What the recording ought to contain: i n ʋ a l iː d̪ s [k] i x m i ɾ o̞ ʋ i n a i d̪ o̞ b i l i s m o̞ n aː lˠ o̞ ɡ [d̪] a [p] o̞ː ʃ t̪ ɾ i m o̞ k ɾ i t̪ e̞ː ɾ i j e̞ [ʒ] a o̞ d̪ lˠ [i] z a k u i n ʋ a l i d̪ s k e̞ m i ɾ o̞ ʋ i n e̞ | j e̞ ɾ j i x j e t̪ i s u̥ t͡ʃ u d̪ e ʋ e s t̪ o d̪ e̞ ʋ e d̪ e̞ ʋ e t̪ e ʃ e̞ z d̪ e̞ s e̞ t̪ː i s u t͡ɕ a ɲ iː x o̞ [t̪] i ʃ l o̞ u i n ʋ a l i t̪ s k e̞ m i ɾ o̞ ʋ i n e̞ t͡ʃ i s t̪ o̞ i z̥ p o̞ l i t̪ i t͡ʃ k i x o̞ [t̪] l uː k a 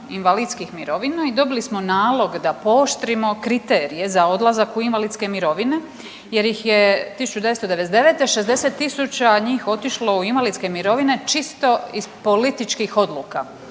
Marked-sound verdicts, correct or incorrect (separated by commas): correct, correct, correct, incorrect, incorrect, correct, incorrect